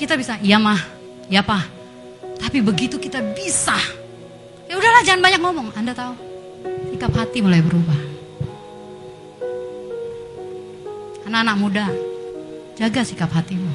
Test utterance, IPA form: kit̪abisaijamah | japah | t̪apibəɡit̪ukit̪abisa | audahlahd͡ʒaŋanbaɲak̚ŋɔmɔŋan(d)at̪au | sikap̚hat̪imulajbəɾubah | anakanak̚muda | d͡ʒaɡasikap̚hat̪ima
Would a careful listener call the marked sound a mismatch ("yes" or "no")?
no